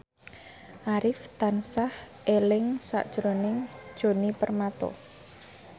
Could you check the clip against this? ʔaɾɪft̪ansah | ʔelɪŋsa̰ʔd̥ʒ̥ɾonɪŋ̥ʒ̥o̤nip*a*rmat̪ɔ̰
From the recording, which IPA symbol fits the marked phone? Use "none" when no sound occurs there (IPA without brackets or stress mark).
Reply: ə